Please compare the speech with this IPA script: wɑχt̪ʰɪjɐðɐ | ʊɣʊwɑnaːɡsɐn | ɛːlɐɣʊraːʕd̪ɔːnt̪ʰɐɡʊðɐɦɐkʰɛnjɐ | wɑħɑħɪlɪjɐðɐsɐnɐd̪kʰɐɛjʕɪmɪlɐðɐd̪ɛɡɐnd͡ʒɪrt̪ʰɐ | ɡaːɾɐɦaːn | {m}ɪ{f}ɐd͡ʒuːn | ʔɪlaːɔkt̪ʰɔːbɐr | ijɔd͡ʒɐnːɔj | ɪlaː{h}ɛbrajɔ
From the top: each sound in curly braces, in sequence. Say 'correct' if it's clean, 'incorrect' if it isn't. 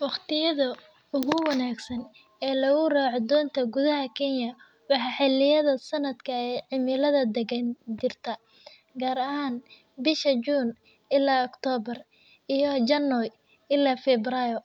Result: incorrect: b, incorrect: ʃ, incorrect: f

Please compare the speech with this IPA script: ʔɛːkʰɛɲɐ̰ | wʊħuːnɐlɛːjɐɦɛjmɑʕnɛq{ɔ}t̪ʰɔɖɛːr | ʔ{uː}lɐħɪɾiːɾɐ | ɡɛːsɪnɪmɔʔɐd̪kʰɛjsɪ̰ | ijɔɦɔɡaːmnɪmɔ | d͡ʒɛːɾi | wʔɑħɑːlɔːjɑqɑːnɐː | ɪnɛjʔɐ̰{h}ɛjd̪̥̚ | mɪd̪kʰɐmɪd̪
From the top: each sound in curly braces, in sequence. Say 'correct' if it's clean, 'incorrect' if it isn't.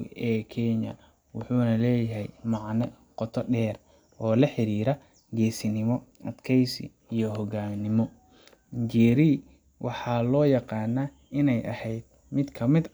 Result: correct, incorrect: ɔː, correct

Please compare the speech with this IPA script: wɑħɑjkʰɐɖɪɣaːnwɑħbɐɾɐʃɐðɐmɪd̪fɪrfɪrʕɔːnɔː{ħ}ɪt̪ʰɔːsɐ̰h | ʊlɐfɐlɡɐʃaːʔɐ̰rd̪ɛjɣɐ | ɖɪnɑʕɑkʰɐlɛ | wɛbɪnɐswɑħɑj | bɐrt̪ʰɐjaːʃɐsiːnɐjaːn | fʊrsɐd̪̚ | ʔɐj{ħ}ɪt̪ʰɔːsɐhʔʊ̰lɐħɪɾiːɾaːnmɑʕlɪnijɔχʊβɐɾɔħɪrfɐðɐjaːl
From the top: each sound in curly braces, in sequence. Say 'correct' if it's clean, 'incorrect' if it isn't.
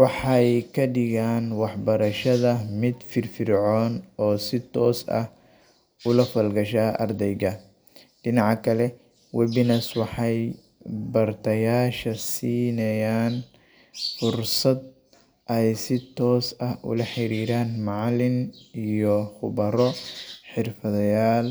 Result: incorrect: s, incorrect: s

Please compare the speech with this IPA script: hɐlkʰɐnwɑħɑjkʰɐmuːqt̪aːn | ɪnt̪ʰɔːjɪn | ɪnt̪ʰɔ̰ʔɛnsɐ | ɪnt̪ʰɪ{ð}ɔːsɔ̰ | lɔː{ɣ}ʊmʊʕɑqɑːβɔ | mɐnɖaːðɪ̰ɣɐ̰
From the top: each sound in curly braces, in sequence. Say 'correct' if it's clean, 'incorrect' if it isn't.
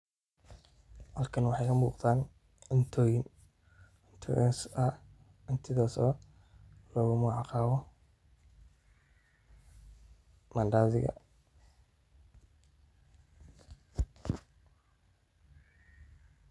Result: correct, correct

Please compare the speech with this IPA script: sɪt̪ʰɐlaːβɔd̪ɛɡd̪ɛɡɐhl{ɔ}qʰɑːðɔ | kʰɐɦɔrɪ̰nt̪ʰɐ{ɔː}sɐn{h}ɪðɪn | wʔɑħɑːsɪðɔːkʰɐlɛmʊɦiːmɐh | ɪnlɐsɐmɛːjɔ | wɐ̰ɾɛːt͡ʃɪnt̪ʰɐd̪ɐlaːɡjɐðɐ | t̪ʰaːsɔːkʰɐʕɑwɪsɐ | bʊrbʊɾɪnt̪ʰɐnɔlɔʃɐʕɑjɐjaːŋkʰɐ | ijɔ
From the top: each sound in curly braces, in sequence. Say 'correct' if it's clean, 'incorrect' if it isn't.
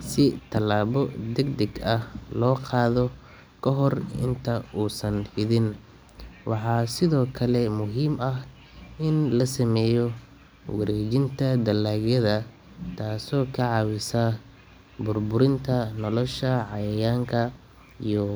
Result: incorrect: ɔː, incorrect: uː, correct

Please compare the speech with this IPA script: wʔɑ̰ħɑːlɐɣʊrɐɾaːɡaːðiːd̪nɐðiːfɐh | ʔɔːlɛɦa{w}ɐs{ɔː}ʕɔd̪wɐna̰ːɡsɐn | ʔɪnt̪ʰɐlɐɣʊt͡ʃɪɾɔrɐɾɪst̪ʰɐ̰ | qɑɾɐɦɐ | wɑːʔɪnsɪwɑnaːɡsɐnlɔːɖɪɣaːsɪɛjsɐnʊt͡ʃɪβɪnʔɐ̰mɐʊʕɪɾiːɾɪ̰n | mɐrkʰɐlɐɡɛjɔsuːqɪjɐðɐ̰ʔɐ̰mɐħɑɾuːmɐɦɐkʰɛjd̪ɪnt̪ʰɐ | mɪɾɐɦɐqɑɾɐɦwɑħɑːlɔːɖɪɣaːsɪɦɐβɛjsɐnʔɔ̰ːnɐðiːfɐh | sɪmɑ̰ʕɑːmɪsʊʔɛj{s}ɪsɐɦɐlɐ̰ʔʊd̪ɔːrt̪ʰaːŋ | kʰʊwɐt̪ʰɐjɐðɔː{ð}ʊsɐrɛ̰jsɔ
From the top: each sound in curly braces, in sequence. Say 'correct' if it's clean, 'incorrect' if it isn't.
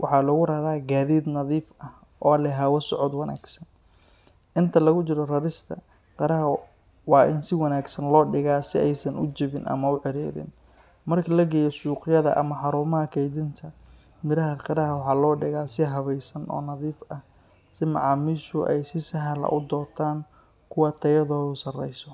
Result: correct, incorrect: ɔ, correct, correct

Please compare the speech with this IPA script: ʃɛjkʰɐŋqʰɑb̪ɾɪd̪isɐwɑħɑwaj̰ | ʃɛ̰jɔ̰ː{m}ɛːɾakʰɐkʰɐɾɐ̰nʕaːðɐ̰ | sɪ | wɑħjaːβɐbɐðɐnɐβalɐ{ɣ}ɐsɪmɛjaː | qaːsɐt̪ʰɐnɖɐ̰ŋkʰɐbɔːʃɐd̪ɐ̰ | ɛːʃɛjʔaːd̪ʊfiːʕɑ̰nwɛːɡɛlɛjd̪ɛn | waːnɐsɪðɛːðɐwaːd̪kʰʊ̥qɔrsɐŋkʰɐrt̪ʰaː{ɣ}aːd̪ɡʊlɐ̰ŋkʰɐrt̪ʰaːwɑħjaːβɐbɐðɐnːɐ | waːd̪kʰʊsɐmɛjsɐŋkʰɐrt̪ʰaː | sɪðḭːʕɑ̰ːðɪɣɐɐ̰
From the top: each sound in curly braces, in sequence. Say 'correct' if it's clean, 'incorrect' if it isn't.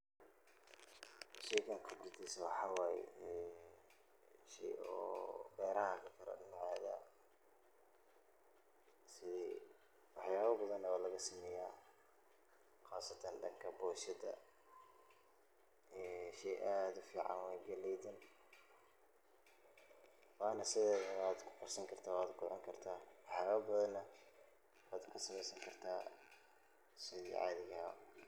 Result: incorrect: b, correct, incorrect: w

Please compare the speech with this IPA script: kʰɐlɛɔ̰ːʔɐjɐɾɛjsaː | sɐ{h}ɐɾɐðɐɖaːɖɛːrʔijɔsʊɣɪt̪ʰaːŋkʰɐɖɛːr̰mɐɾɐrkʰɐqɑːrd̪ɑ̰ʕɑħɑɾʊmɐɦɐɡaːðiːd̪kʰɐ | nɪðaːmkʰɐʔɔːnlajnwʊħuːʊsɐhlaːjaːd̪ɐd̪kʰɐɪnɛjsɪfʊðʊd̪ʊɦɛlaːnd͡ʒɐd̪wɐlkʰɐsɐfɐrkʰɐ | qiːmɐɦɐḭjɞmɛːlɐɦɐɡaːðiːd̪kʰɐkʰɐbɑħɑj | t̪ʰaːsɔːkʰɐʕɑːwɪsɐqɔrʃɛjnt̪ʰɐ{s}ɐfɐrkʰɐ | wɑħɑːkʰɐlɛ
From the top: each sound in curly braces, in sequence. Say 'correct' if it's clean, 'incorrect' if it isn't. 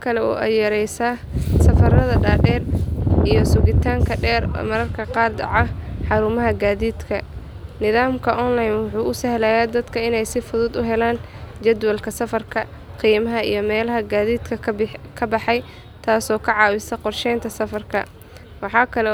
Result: incorrect: f, correct

